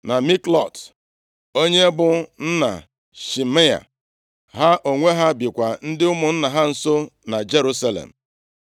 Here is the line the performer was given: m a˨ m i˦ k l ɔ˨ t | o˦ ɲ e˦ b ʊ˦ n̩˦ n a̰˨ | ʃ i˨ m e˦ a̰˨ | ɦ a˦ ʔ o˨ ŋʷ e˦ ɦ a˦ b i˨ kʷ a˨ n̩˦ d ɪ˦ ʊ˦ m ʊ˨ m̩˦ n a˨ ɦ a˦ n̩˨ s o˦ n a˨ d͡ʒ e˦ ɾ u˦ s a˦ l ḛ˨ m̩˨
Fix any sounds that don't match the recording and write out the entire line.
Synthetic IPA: n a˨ m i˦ k l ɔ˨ t | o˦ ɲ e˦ b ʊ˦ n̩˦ n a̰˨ | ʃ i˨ m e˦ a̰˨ | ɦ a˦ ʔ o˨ ŋʷ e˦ ɦ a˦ b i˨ kʷ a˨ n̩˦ d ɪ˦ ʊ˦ m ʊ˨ n̩˦ n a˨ ɦ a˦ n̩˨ s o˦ n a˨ d͡ʒ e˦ ɾ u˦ s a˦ l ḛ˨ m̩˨